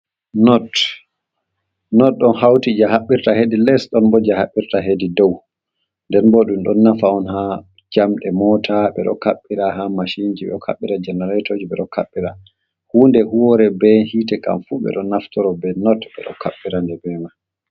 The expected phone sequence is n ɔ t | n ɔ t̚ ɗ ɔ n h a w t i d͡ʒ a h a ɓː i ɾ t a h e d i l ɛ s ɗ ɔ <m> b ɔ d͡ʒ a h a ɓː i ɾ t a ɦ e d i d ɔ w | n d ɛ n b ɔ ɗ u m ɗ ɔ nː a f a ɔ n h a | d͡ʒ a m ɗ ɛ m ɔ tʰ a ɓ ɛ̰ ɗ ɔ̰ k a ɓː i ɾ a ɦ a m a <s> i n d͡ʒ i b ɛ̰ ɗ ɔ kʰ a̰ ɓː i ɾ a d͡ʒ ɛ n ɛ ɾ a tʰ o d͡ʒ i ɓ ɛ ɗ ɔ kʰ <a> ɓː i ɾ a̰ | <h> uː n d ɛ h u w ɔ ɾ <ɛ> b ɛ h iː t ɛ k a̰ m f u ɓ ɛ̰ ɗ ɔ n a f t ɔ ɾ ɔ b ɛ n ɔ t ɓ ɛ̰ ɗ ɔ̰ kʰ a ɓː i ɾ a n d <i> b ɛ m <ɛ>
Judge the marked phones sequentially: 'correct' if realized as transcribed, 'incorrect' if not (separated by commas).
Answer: incorrect, incorrect, correct, correct, correct, incorrect, incorrect